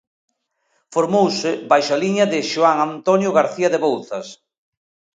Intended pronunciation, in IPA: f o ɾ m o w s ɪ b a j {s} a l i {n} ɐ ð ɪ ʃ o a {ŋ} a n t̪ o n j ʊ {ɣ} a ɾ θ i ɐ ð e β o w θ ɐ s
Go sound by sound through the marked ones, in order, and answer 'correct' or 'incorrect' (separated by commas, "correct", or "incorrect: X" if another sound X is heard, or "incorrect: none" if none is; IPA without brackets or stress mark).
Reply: incorrect: ʃ, incorrect: ɲ, correct, correct